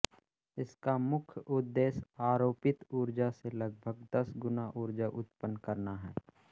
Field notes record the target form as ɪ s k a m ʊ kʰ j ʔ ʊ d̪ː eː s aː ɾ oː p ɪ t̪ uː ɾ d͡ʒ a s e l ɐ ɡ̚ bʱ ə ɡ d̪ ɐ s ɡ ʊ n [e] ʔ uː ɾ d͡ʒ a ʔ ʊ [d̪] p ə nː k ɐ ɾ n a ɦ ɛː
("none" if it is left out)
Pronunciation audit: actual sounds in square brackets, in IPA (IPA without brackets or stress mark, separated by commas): a, t̪